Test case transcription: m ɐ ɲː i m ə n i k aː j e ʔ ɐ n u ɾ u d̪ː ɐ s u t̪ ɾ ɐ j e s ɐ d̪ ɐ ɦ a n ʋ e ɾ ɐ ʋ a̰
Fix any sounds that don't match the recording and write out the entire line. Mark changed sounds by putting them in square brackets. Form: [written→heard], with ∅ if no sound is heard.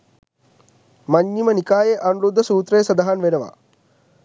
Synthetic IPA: m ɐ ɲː i m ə n i k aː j e ʔ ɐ n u ɾ u d̪ː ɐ s [u→uː] t̪ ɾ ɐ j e s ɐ d̪ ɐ ɦ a n ʋ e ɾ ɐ ʋ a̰